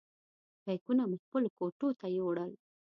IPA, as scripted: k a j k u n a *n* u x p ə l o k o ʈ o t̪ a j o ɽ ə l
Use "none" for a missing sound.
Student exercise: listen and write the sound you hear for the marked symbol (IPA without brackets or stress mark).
m